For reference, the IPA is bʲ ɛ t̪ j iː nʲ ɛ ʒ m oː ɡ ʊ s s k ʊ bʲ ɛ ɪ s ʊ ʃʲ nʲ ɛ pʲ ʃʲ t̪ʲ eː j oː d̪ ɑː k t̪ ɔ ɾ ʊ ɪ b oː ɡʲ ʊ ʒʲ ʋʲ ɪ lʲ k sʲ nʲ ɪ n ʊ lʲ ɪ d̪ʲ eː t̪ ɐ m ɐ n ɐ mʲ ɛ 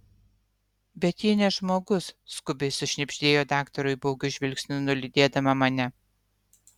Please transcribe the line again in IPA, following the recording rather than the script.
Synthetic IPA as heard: bʲ ɛ t̪ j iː nʲ ɛ ʒ m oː ɡ ʊ s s k ʊ bʲ ɛ ɪ s ʊ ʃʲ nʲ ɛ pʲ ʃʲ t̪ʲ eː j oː d̪ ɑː k t̪ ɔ ɾ ʊ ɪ b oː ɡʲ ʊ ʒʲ ʋʲ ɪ lʲ k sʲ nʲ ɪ n ʊ lʲ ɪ d̪ʲ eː d̪ ɐ m ɐ m ɐ nʲ ɛ

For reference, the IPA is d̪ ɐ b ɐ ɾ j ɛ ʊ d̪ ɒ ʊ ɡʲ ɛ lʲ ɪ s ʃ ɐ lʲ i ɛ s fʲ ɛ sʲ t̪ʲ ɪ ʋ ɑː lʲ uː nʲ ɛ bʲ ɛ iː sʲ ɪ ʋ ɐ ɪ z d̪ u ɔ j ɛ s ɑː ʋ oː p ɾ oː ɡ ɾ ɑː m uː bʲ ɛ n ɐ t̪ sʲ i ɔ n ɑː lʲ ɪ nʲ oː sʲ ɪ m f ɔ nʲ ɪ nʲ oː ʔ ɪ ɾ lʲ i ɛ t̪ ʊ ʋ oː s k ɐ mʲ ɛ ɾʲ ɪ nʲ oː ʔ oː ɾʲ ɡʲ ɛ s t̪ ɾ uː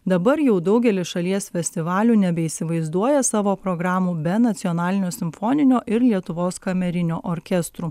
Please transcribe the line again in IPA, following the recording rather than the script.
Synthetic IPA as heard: d̪ ɐ b ɐ ɾ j ɛ ʊ d̪ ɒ ʊ ɡʲ ɛ lʲ ɪ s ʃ ɐ lʲ i ɛ s fʲ ɛ sʲ t̪ʲ ɪ ʋ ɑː lʲ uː nʲ ɛ bʲ ɛ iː sʲ ɪ ʋ ɐ ɪ z d̪ u ɔ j ɛ s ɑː ʋ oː p ɾ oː ɡ ɾ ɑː m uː bʲ ɛ n ɐ t̪ sʲ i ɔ n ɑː lʲ ɪ nʲ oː sʲ ɪ m f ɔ nʲ ɪ nʲ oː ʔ ɪ ɾ lʲ i ɛ t̪ ʊ ʋ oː s k ɐ mʲ ɛ ɾʲ ɪ nʲ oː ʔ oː ɾʲ kʲ ɛ s t̪ ɾ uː

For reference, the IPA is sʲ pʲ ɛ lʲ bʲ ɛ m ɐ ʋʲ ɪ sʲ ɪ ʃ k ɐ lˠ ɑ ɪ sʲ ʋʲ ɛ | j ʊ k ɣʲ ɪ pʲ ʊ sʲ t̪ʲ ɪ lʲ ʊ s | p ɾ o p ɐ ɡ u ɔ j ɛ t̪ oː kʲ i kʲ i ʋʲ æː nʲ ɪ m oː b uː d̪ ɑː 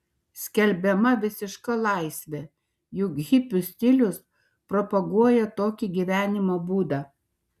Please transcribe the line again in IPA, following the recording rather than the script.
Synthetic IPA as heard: sʲ kʲ ɛ lʲ bʲ ɛ m ɐ ʋʲ ɪ sʲ ɪ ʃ k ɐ lˠ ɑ ɪ sʲ ʋʲ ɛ | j ʊ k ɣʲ ɪ pʲ ʊ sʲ t̪ʲ ɪ lʲ ʊ s | p ɾ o p ɐ ɡ u ɔ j ɛ t̪ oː kʲ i ɡʲ i ʋʲ æː nʲ ɪ m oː b uː d̪ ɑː

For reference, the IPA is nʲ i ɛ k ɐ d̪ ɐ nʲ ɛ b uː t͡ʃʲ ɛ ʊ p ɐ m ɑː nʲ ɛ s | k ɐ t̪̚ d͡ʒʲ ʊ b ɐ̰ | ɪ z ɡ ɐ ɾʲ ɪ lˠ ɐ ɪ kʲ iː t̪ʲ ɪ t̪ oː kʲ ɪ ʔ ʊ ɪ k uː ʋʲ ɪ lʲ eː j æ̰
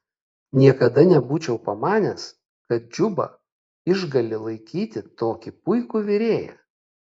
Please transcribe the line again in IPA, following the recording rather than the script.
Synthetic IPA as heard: nʲ i ɛ k ɐ d̪ ɐ nʲ ɛ b uː t͡ʃʲ ɛ ʊ p ɐ m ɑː nʲ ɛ s | k ɐ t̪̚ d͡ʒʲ ʊ b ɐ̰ | ɪ ʒ ɡ ɐ lʲ ɪ lˠ ɐ ɪ kʲ iː t̪ʲ ɪ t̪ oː kʲ ɪ p ʊ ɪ k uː ʋʲ ɪ ɾʲ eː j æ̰

